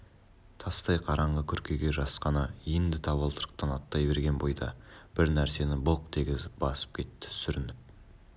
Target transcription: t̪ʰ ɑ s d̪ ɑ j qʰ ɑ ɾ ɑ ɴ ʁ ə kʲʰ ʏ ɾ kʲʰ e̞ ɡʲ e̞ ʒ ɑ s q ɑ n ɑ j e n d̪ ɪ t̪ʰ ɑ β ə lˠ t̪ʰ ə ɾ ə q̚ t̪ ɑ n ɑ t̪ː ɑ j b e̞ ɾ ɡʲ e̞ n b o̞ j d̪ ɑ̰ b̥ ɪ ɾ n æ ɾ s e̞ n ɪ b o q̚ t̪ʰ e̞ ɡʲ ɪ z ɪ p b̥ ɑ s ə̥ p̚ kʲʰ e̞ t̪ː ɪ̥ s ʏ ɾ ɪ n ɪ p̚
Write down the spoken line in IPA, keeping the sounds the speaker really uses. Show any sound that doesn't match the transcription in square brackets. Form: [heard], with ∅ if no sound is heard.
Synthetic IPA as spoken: t̪ʰ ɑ s [t̪] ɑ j qʰ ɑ ɾ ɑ ɴ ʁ ə kʲʰ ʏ ɾ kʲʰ e̞ ɡʲ e̞ ʒ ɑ s q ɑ n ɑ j e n d̪ ɪ t̪ʰ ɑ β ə lˠ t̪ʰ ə ɾ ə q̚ t̪ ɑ n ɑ t̪ː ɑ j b e̞ ɾ ɡʲ e̞ n b o̞ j d̪ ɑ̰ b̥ ɪ ɾ n æ ɾ s e̞ n ɪ b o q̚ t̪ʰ e̞ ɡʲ ɪ z ɪ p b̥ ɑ s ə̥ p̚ kʲʰ e̞ t̪ː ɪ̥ s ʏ ɾ ɪ n ɪ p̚